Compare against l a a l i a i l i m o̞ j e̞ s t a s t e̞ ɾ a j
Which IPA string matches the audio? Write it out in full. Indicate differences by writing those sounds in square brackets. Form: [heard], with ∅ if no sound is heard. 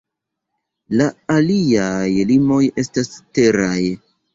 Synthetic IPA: l a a l i a [j] l i m o̞ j e̞ s t a s t e̞ ɾ a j